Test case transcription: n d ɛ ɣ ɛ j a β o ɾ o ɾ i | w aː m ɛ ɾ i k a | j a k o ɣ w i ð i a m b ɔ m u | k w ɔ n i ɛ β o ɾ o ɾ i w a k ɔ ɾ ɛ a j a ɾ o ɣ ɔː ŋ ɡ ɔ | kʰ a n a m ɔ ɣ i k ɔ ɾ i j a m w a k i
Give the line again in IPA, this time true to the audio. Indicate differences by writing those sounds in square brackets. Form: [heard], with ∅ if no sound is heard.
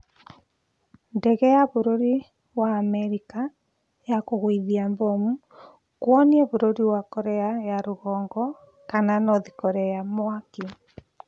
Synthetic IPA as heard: n d ɛ ɣ ɛ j a β o ɾ o ɾ i | w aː m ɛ ɾ i k a | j a k o ɣ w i ð i a m b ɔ m u | k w ɔ n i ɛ β o ɾ o ɾ i w a k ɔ ɾ ɛ a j a ɾ o ɣ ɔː ŋ ɡ ɔ | [k] a n a [n] ɔ [ð] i k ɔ ɾ [ɛ] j a m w a k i